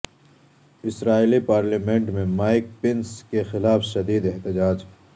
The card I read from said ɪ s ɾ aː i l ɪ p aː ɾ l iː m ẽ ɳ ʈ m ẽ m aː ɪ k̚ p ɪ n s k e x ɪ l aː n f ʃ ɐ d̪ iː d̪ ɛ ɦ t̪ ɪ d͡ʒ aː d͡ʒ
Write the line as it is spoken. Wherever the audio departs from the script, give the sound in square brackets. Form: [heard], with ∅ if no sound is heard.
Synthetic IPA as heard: ɪ s ɾ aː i l [i] p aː ɾ l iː m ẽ ɳ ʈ m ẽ m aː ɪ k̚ p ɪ n s k e x ɪ l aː [∅] f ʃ ɐ d̪ iː d̪ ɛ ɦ t̪ ɪ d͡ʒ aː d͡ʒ